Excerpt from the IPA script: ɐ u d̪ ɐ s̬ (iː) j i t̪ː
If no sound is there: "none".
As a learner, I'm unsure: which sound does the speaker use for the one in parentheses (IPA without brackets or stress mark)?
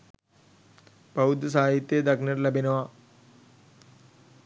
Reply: aː